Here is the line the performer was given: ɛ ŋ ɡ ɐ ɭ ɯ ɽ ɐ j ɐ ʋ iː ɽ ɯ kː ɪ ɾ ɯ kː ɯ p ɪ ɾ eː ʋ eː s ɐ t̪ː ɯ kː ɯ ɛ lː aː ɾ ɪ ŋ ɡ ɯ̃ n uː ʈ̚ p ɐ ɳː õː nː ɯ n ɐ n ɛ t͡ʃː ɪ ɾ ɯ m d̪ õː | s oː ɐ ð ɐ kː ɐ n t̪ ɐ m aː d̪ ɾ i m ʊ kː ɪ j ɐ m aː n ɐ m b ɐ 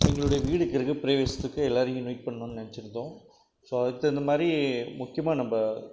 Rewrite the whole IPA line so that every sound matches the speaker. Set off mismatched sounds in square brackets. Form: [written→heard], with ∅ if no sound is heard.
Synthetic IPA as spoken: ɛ ŋ ɡ ɐ ɭ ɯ ɽ ɐ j ɐ ʋ iː ɽ ɯ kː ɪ ɾ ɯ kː ɯ p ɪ ɾ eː ʋ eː s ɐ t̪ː ɯ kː ɯ ɛ lː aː ɾ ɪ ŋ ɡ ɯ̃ n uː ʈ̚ p ɐ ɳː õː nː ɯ n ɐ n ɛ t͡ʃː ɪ ɾ ɯ [m→n] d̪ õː | s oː ɐ ð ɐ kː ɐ n [t̪→d̪] ɐ m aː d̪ ɾ i m ʊ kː ɪ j ɐ m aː n ɐ m b ɐ

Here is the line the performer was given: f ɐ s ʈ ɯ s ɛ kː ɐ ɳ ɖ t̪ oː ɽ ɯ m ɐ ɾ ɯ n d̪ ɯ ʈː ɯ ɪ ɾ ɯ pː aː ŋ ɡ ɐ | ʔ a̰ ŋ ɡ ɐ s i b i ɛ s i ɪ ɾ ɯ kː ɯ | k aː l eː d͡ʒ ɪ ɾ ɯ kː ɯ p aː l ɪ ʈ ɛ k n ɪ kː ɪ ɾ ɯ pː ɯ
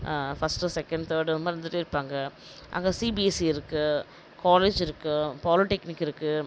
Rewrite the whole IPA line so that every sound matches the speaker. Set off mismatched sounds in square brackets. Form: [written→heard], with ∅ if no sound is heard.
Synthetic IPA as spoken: f ɐ s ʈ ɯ s ɛ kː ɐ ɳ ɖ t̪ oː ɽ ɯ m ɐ ɾ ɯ n d̪ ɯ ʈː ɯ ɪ ɾ ɯ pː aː ŋ ɡ ɐ | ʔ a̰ ŋ ɡ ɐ s i b i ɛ s i ɪ ɾ ɯ kː ɯ | k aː l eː d͡ʒ ɪ ɾ ɯ kː ɯ p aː l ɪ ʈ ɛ k n ɪ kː ɪ ɾ ɯ [pː→kː] ɯ

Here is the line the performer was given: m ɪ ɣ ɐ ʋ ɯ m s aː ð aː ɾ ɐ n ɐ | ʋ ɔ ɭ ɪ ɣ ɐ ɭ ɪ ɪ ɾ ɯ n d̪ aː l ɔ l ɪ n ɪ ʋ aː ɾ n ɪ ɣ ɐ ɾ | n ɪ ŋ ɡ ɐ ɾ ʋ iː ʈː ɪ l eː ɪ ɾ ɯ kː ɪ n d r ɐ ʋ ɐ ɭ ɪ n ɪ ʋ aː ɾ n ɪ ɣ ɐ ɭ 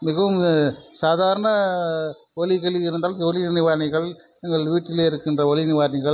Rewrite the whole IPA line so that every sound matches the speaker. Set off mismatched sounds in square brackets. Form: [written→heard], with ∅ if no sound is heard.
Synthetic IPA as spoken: m ɪ ɣ ɐ ʋ ɯ m s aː ð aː ɾ ɐ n ɐ | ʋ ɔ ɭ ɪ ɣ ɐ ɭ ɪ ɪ ɾ ɯ n d̪ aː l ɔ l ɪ n ɪ ʋ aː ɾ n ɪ ɣ ɐ [ɾ→ɭ] | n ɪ ŋ ɡ ɐ [ɾ→ɭ] ʋ iː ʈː ɪ l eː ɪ ɾ ɯ kː ɪ n d r ɐ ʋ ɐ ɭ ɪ n ɪ ʋ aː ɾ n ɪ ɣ ɐ ɭ

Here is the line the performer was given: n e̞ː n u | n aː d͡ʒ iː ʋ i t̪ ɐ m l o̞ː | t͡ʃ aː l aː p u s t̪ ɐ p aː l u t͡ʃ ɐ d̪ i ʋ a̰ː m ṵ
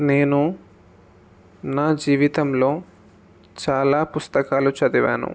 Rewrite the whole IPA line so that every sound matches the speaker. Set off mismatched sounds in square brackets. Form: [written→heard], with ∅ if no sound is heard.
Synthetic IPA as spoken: n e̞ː n u | n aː d͡ʒ iː ʋ i t̪ ɐ m l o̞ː | t͡ʃ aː l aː p u s t̪ ɐ [p→k] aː l u t͡ʃ ɐ d̪ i ʋ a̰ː [m→n] ṵ

